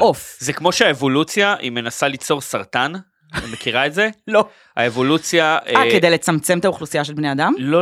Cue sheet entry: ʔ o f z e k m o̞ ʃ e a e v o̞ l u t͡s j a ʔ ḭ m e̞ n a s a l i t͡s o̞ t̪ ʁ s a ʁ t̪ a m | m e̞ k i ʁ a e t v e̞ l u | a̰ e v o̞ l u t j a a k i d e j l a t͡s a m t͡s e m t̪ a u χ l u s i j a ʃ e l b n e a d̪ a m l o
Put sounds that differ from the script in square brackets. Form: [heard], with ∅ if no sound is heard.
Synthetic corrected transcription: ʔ o f z e k m o̞ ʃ e a e v o̞ l u t͡s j a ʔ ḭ m e̞ n a s a l i t͡s o̞ [∅] ʁ s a ʁ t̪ a [n] | m e̞ k i ʁ a e t [z] e̞ l [o] | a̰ e v o̞ l u [t͡s] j a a k [e] d e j l [e] t͡s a m t͡s e m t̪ a u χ l u s i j a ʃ e l b n e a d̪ a m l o